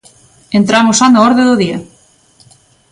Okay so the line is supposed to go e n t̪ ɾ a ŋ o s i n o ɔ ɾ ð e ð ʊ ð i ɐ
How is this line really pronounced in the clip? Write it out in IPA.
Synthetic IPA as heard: e n t̪ ɾ a m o s a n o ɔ ɾ ð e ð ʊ ð i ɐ